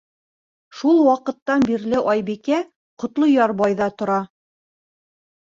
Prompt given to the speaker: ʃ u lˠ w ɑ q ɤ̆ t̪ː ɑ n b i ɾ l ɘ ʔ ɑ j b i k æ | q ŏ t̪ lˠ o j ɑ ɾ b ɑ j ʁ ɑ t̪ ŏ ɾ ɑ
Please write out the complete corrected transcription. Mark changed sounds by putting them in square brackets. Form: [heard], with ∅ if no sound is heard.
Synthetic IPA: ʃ u lˠ w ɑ q ɤ̆ t̪ː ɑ n b i ɾ l ɘ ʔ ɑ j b i k æ | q ŏ t̪ lˠ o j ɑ ɾ b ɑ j [ð] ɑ t̪ ŏ ɾ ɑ